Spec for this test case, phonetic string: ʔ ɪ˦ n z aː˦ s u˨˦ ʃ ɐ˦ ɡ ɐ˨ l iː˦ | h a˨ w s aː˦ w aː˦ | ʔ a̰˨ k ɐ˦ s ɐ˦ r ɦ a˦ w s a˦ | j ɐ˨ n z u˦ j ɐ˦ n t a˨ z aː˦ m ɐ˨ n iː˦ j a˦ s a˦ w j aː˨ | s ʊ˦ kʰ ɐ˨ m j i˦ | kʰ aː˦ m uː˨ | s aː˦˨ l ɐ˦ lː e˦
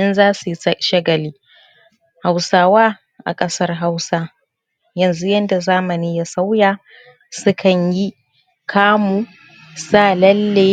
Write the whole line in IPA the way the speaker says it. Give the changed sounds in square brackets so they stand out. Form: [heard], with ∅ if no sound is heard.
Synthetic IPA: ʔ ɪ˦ n z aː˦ s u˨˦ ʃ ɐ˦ ɡ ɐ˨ l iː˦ | h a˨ w s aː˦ w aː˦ | ʔ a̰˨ [kʼ] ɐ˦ s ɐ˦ r ɦ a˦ w s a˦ | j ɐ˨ n z u˦ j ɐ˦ n [d] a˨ z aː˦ m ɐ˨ n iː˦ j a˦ s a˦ w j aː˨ | s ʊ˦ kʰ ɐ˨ [ɲ] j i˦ | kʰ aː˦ m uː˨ | s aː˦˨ l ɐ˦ lː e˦

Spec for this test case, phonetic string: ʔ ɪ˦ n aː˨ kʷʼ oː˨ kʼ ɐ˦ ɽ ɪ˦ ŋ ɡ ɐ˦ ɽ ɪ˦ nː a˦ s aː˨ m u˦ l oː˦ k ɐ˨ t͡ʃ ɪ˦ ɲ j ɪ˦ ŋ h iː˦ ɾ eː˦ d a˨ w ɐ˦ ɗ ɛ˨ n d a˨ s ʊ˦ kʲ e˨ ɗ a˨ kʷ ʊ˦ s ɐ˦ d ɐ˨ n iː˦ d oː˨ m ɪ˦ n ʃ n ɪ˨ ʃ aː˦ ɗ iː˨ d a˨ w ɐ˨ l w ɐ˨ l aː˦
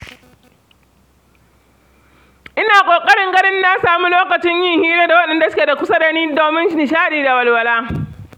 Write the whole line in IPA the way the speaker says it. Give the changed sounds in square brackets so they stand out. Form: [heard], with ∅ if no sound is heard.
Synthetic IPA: ʔ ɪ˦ n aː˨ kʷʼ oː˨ kʼ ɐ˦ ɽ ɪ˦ ŋ ɡ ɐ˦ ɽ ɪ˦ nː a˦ s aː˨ m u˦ l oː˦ k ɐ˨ t͡ʃ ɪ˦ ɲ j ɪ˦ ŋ h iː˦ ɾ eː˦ d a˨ w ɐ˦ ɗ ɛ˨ n d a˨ s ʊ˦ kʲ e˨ [d] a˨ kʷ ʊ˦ s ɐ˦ d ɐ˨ n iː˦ d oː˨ m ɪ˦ n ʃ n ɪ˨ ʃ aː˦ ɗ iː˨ d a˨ w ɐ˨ l w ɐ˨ l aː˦

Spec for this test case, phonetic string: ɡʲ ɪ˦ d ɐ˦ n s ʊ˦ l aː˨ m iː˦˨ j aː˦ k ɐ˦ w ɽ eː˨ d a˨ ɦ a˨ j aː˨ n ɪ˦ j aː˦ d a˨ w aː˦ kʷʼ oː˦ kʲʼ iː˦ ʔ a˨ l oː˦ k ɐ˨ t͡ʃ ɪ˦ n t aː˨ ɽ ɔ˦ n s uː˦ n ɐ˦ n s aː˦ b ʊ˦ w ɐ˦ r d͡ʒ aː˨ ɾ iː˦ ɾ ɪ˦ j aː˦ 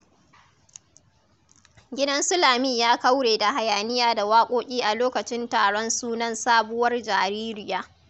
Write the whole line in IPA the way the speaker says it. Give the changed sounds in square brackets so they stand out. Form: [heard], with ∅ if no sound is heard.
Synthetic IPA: ɡʲ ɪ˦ d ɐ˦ n s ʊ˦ l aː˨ m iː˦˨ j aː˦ k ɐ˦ w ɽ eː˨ d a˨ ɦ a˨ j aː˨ n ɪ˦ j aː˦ d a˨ w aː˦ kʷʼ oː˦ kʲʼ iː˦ ʔ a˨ l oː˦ k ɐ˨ t͡ʃ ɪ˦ n t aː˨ ɽ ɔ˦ n s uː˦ n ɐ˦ n s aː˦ b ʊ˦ w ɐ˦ r d͡ʒ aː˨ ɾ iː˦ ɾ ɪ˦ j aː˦

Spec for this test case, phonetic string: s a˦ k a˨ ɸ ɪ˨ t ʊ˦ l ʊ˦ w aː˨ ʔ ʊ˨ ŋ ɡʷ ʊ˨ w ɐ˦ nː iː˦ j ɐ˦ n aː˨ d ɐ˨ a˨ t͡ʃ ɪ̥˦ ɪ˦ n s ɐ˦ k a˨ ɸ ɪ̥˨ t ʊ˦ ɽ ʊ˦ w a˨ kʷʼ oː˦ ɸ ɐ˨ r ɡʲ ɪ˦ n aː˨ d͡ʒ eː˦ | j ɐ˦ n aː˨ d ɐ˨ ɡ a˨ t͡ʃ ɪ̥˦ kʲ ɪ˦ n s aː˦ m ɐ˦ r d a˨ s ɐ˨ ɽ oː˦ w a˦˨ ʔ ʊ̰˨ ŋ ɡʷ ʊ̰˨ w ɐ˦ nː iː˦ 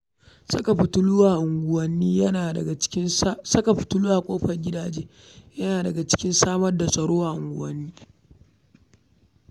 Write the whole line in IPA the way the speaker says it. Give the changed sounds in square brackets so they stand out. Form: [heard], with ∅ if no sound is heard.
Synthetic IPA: s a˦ k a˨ ɸ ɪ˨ t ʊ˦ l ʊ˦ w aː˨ ʔ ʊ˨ ŋ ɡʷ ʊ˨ w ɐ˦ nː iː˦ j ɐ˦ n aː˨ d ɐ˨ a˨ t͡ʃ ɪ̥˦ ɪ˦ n s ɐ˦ k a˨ ɸ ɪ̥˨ t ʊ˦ [l] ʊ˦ w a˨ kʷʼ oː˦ ɸ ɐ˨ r ɡʲ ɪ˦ [d] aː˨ d͡ʒ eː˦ | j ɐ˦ n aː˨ d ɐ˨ ɡ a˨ t͡ʃ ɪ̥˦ kʲ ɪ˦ n s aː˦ m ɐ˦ r d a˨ s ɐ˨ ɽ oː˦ w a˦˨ ʔ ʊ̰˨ ŋ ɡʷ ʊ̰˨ w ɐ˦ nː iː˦

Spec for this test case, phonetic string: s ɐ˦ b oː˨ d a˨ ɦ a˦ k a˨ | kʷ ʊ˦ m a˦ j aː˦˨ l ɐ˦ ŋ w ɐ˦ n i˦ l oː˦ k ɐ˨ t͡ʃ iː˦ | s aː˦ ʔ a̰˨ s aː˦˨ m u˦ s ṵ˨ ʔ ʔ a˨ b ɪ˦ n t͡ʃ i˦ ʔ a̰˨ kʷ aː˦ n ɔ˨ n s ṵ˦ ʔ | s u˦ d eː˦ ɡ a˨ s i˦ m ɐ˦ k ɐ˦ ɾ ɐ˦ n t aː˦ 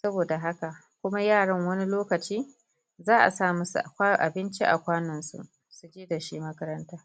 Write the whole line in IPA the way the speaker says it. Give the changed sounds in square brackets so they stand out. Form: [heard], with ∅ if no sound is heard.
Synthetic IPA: s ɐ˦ b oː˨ d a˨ ɦ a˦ k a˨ | kʷ ʊ˦ m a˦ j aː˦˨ [ɽ] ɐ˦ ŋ w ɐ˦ n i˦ l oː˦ k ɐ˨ t͡ʃ iː˦ | [z] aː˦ ʔ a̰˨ s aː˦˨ m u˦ s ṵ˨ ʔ ʔ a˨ b ɪ˦ n t͡ʃ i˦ ʔ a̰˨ kʷ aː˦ n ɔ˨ n s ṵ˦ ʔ | s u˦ [d͡ʒ] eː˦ [d] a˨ [ʃ] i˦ m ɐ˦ k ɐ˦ ɾ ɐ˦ n t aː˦

